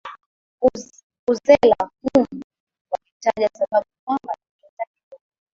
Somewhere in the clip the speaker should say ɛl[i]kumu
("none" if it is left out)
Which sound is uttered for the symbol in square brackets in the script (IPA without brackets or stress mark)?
a